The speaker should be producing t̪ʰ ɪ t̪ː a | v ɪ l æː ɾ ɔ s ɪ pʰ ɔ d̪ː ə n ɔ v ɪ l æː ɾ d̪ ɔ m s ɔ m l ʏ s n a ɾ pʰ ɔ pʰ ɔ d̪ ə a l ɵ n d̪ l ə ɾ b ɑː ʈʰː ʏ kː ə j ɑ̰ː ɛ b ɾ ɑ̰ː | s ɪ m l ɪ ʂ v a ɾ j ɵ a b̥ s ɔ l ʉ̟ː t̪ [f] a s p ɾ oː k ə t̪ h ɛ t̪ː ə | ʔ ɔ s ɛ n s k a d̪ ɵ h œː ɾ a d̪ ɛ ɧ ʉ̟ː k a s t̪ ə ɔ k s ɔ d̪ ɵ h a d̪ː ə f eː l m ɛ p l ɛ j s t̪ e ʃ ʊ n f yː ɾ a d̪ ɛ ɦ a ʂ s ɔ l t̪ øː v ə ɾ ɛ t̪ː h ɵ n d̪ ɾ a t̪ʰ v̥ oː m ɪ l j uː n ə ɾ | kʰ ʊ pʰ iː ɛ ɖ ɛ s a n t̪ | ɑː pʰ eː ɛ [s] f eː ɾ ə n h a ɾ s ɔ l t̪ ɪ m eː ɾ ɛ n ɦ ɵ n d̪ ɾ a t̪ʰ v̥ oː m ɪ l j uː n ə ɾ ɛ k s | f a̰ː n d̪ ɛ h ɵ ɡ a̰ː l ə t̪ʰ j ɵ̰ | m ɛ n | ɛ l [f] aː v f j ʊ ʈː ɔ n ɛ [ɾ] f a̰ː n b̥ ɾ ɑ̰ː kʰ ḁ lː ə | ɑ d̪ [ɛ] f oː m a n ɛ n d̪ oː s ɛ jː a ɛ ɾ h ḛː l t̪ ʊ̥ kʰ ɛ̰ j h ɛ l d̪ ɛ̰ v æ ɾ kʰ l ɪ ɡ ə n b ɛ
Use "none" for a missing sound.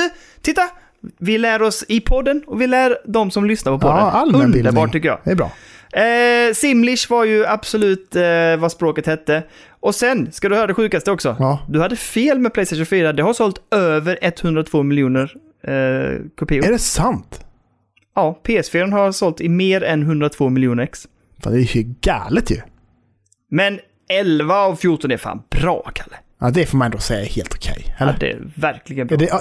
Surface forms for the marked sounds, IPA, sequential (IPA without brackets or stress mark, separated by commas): v, s, v, ɾ, ɛ